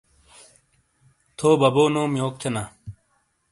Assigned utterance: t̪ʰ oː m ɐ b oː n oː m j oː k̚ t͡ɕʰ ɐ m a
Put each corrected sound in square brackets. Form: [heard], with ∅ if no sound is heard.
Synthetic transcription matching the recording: t̪ʰ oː [b] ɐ b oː n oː m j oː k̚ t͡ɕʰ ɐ [n] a